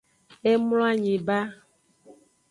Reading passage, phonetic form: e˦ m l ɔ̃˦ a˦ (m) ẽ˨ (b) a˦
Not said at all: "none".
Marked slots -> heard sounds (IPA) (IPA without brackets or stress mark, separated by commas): ɲ, b